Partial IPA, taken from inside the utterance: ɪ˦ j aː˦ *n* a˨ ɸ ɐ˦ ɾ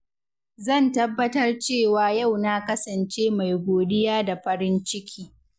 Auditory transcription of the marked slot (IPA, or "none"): d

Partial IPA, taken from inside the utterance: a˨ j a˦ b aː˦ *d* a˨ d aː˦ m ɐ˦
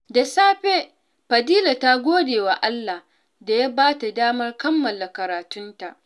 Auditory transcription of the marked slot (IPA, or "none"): t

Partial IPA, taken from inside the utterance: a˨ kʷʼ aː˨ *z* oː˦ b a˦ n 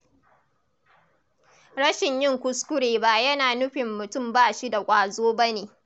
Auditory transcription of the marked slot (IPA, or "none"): z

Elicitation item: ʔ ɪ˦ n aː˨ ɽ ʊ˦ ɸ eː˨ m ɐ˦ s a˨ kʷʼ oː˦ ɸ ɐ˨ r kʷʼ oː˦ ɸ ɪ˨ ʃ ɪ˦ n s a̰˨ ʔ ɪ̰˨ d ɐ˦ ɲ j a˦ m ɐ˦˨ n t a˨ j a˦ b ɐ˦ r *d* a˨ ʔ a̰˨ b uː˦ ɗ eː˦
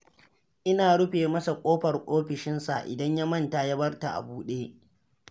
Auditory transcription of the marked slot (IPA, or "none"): t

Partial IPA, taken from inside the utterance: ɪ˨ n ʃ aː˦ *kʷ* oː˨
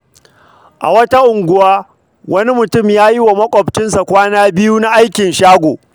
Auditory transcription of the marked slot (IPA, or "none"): ɡʷ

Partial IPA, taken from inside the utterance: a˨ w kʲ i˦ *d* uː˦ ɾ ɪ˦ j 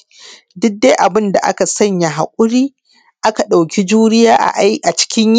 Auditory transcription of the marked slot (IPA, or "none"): d͡ʒ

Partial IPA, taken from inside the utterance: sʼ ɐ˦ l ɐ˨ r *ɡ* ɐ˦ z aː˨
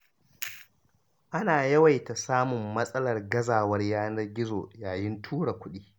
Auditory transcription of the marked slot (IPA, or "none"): ɡ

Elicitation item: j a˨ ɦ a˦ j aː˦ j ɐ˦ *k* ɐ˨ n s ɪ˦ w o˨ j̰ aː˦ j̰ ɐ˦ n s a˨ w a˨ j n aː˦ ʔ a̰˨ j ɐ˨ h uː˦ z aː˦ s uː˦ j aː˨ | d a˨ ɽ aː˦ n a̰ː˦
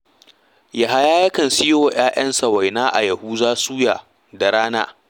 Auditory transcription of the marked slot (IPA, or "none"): k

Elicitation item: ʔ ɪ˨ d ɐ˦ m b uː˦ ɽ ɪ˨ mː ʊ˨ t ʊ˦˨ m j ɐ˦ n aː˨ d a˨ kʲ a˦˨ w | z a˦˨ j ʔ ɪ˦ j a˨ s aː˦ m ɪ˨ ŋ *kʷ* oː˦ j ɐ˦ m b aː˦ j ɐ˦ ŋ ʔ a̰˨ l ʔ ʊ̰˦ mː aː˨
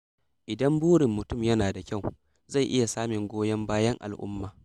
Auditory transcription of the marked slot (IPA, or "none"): ɡʷ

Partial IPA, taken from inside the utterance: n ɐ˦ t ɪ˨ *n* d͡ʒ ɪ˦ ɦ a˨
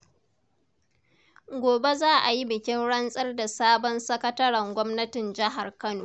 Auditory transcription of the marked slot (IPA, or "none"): n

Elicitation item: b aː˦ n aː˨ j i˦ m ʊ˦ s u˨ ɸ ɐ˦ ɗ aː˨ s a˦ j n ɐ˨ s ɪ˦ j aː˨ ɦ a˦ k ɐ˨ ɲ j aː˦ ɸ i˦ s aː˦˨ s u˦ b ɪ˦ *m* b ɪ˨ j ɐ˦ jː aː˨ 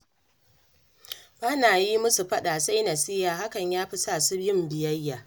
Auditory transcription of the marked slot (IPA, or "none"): m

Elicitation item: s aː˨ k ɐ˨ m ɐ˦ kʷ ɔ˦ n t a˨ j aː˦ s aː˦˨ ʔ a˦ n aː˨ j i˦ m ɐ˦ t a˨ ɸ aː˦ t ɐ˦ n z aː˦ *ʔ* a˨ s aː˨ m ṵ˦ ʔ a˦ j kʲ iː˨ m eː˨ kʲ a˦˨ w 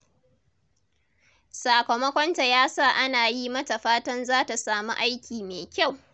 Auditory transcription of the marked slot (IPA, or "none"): t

